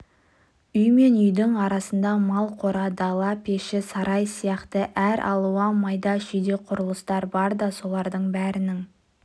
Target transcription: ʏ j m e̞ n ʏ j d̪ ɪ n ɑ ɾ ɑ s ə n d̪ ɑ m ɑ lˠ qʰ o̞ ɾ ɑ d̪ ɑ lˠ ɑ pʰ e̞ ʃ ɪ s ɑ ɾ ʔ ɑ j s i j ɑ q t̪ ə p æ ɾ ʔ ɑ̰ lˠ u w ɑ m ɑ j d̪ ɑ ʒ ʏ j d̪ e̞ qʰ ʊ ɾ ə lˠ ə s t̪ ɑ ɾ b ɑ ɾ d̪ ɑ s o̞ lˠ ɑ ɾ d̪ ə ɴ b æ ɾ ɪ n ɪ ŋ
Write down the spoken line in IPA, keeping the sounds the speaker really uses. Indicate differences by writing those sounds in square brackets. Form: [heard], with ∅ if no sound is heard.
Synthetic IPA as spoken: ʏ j m e̞ n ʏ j d̪ ɪ [ŋ] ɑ ɾ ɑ s ə n d̪ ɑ m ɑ lˠ qʰ o̞ ɾ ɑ d̪ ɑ lˠ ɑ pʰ e̞ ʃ ɪ s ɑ ɾ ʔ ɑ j s i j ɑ q t̪ ə [ʔ] æ ɾ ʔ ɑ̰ lˠ u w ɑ m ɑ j d̪ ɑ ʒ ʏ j d̪ e̞ qʰ ʊ ɾ ə lˠ ə s t̪ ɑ ɾ b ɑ ɾ d̪ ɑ s o̞ lˠ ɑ ɾ d̪ ə ɴ b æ ɾ ɪ n ɪ ŋ